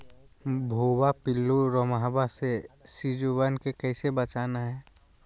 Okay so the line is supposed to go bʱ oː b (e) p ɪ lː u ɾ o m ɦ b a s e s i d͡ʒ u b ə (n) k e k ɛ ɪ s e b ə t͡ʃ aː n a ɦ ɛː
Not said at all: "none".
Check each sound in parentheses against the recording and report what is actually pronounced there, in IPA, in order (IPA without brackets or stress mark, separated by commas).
a, n